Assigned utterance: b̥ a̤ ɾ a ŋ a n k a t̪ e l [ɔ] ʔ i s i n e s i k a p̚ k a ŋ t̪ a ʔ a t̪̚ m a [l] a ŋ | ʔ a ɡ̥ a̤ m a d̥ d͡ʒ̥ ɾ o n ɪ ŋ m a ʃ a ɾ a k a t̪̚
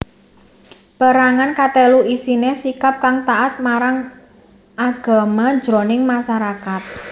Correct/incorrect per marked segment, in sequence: incorrect: u, incorrect: ɾ

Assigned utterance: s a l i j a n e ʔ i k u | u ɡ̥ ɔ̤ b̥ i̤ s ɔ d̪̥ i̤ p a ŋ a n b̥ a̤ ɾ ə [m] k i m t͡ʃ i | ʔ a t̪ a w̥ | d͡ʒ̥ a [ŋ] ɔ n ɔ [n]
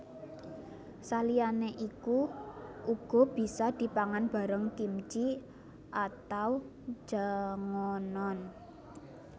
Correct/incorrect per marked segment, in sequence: incorrect: ŋ, correct, correct

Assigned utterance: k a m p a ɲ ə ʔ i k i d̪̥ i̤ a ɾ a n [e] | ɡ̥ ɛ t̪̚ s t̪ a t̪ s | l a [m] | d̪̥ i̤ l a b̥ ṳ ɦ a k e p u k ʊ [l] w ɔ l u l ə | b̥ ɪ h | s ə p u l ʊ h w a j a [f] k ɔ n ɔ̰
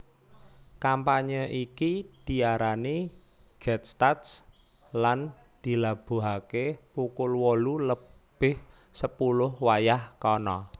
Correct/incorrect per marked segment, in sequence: incorrect: i, incorrect: n, correct, incorrect: h

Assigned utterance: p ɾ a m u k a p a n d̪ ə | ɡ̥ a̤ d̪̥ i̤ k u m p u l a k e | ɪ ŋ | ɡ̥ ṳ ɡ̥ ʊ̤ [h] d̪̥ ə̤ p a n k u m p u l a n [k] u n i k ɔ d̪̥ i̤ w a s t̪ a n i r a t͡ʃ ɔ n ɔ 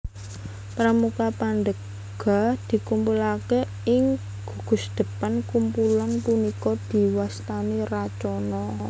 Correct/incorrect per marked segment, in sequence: incorrect: s, incorrect: p

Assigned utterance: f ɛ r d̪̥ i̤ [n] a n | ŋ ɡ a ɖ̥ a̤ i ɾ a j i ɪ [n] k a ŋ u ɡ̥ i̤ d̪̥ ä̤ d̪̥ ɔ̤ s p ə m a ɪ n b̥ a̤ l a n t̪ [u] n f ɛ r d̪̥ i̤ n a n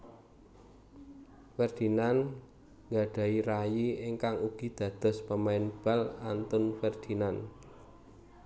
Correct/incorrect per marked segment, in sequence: correct, incorrect: ŋ, incorrect: ʊ

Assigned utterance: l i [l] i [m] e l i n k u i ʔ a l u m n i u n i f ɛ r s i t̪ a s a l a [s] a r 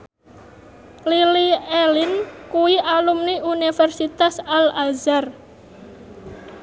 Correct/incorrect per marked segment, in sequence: correct, incorrect: none, incorrect: z

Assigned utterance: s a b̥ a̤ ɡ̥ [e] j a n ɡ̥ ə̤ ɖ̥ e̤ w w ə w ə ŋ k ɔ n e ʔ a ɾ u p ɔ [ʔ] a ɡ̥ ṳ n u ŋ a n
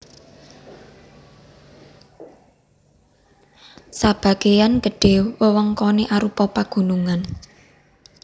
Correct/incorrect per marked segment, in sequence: correct, incorrect: p

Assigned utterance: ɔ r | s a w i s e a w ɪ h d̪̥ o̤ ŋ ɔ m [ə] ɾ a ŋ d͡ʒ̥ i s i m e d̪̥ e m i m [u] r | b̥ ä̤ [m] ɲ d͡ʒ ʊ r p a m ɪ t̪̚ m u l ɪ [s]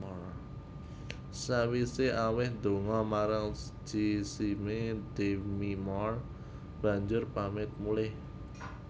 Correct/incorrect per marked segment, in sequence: incorrect: a, incorrect: ɔ, incorrect: none, incorrect: h

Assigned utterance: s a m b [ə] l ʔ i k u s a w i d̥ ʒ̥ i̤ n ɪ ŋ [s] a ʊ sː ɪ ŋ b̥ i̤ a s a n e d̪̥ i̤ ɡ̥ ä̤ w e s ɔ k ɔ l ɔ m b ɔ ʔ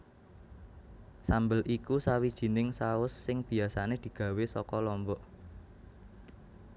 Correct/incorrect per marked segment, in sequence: correct, correct

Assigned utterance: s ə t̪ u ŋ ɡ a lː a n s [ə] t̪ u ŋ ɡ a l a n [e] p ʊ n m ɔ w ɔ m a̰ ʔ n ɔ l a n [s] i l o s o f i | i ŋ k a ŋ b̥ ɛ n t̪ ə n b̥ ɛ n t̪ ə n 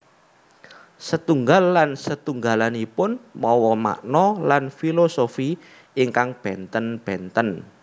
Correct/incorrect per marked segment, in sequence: correct, incorrect: i, incorrect: f

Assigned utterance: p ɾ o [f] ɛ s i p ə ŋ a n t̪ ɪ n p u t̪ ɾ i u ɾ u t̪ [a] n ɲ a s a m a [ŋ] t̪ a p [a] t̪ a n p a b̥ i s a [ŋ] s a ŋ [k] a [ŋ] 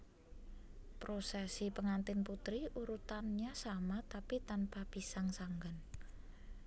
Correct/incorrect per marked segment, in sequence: incorrect: s, correct, incorrect: none, incorrect: i, correct, incorrect: ɡ, incorrect: n

